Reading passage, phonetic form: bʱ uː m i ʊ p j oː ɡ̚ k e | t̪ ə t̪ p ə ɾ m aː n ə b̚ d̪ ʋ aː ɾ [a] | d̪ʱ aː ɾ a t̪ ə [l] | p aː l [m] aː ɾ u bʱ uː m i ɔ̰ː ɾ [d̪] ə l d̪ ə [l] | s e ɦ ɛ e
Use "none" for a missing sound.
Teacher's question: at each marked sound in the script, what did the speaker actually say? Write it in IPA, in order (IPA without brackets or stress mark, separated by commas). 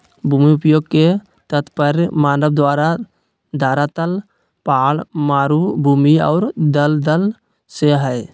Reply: a, l, m, d̪, l